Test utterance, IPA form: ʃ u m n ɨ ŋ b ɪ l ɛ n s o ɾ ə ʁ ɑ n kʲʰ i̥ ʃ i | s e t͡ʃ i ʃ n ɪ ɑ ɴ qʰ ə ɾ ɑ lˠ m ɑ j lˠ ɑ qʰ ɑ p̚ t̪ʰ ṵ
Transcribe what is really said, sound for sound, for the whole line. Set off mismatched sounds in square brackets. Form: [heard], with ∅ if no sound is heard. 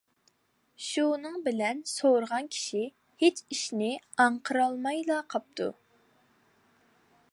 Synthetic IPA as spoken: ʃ u [∅] n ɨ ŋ b ɪ l ɛ n s o ɾ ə ʁ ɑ n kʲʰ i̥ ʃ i | [h] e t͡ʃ i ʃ n ɪ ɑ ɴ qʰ ə ɾ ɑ lˠ m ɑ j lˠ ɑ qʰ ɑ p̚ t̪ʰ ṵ